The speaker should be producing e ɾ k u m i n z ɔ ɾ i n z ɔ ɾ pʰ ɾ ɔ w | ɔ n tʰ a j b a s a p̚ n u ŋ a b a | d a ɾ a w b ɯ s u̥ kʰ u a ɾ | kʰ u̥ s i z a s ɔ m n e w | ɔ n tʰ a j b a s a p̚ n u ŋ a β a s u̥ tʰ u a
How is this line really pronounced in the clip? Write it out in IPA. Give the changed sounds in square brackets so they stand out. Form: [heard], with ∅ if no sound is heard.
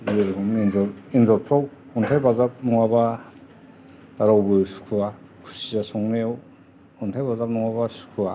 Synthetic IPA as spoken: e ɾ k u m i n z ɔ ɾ i n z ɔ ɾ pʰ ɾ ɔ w | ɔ n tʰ a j b a [z] a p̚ n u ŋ a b a | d a ɾ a w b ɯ s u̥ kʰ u a [∅] | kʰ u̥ s i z a s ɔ [ŋ] n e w | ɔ n tʰ a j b a [z] a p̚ n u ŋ a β a s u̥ [kʰ] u a